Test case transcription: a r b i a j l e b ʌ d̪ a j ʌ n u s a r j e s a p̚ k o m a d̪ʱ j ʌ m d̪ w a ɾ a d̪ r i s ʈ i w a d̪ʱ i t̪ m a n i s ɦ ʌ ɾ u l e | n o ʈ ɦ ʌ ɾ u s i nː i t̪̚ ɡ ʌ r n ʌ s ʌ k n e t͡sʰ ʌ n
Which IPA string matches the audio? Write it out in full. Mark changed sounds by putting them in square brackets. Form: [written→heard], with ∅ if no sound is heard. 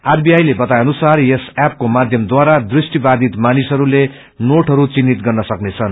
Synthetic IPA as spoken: a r b i a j l e b ʌ [d̪→t̪] a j ʌ n u s a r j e s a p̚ k o m a d̪ʱ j ʌ m d̪ w a ɾ a d̪ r i s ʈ i [w→b] a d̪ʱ i t̪ m a n i s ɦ ʌ ɾ u l e | n o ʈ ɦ ʌ ɾ u [s→t͡s] i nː i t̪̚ ɡ ʌ r n ʌ s ʌ k n e t͡sʰ ʌ n

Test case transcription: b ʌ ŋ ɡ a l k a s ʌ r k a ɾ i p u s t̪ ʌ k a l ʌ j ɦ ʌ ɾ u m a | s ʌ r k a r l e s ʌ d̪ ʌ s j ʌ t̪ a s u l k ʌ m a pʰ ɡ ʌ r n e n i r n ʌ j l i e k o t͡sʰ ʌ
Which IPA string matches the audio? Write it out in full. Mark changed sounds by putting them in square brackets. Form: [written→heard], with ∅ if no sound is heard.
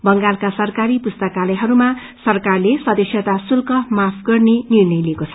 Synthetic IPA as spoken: b ʌ ŋ ɡ a l k a s ʌ r k a ɾ i p u s t̪ ʌ k a l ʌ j ɦ ʌ ɾ u m a | s ʌ r k a r l e s ʌ d̪ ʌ s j ʌ t̪ a s u l k ʌ m a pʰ ɡ ʌ r n e n i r n ʌ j l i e k o t͡sʰ ʌ

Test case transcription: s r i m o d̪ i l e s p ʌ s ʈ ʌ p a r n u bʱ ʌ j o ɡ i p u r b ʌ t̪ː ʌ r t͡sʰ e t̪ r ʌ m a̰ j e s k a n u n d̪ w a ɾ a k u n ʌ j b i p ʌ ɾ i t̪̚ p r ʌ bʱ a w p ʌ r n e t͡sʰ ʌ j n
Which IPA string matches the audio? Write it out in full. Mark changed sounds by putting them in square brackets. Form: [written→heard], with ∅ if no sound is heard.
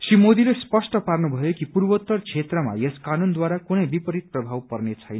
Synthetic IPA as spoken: s r i m o d̪ i l e s p ʌ s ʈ ʌ p a r n u bʱ ʌ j o [ɡ→k] i p u r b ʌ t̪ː ʌ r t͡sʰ e t̪ r ʌ m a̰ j e s k a n u n d̪ w a ɾ a k u n ʌ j b i p ʌ ɾ i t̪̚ p r ʌ bʱ a w p ʌ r n e t͡sʰ ʌ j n

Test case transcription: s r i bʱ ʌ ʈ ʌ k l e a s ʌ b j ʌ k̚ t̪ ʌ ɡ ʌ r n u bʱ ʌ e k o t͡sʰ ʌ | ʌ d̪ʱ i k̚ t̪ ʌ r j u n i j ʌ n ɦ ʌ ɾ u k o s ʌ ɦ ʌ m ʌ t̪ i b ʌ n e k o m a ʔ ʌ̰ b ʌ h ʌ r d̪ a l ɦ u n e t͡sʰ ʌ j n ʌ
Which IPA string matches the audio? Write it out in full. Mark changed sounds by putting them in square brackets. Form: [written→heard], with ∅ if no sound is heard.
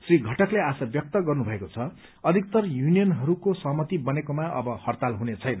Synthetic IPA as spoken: s r i [bʱ→ɡʱ] ʌ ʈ ʌ k l e a s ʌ b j ʌ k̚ t̪ ʌ ɡ ʌ r n u bʱ ʌ e k o t͡sʰ ʌ | ʌ d̪ʱ i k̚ t̪ ʌ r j u n i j ʌ n ɦ ʌ ɾ u k o s ʌ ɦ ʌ m ʌ t̪ i b ʌ n e k o m a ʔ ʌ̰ b ʌ h ʌ r [d̪→t̪] a l ɦ u n e t͡sʰ ʌ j n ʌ

